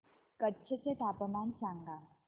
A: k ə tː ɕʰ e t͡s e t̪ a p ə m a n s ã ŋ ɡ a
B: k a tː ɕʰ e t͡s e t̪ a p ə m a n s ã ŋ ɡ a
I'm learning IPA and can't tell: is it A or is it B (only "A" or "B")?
A